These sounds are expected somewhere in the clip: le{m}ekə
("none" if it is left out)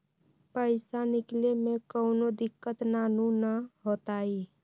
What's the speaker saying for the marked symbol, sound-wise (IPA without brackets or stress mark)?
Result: m